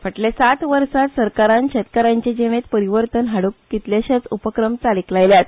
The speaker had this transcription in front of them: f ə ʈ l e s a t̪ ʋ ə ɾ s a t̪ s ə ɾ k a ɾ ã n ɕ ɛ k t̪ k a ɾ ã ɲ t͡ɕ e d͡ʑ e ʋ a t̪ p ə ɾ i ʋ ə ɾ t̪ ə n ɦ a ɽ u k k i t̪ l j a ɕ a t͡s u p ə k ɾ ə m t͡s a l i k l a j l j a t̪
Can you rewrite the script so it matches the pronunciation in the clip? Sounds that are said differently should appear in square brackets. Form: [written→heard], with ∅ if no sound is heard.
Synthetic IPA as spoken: f ə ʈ l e s a t̪ ʋ ə ɾ s a t̪ s ə ɾ k a ɾ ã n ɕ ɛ [k→∅] t̪ k a ɾ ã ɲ t͡ɕ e d͡ʑ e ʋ [a→e] t̪ p ə ɾ i ʋ ə ɾ t̪ ə n ɦ a ɽ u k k i t̪ l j a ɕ a t͡s u p ə k ɾ ə m t͡s a l i k l a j l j a t̪